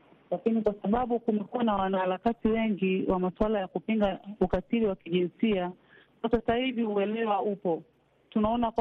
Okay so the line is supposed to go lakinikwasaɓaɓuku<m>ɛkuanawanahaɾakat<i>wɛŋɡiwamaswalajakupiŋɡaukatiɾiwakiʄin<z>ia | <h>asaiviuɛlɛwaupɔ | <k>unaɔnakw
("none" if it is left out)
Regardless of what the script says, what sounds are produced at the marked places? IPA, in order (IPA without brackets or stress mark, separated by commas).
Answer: m, i, s, s, t